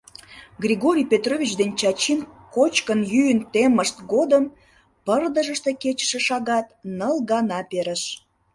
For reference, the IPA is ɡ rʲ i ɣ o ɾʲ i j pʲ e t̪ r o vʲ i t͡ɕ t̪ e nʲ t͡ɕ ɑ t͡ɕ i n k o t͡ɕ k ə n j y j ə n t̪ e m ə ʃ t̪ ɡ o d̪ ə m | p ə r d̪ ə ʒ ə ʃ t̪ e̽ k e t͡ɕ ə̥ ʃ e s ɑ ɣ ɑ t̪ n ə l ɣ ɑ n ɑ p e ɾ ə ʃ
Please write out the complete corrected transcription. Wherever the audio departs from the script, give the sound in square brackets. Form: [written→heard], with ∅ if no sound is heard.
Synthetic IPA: ɡ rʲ i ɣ o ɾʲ i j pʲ e t̪ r o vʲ i t͡ɕ [t̪→d̪] e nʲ t͡ɕ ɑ t͡ɕ i n k o t͡ɕ k ə n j y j ə n t̪ e m ə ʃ t̪ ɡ o d̪ ə m | p ə r d̪ ə ʒ ə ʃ t̪ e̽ k e t͡ɕ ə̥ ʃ e [s→ʃ] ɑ ɣ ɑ t̪ n ə l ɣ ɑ n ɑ p e ɾ ə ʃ